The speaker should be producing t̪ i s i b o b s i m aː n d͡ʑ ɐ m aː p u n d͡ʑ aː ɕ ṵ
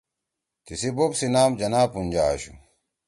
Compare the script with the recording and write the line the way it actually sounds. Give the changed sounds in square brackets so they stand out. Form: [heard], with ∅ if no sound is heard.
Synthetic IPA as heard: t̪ i s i b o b s i [n] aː [m] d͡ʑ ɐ [n] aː p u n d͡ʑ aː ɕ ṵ